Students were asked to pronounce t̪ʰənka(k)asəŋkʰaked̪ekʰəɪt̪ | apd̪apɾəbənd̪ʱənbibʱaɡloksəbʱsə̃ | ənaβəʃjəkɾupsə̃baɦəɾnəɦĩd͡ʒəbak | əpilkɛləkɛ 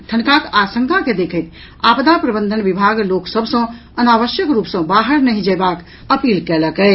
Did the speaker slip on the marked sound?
no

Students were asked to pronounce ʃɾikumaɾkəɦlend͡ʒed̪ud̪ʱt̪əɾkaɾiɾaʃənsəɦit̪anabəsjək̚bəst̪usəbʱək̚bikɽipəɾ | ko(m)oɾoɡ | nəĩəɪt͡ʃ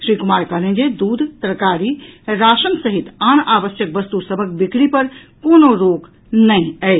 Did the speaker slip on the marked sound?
yes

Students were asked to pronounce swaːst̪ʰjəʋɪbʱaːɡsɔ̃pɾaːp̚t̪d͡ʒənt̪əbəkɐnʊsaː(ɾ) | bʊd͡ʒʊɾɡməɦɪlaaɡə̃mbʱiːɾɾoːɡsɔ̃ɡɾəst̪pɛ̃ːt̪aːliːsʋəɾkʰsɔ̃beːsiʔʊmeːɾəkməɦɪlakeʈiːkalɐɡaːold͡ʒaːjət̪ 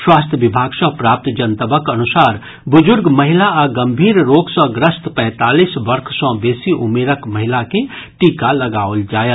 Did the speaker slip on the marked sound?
no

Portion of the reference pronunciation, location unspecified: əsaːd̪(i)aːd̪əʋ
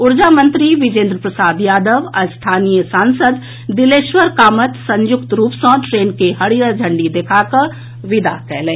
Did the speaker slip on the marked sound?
yes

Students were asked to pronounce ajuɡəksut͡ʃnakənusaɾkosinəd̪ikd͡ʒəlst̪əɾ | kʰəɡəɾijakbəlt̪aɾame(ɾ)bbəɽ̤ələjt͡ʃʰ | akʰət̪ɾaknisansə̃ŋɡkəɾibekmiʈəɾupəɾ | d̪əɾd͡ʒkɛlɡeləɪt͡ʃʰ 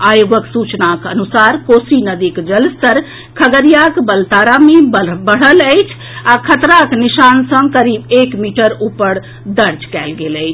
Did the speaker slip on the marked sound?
yes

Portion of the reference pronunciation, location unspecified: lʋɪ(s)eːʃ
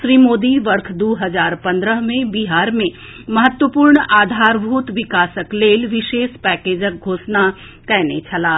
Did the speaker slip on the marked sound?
yes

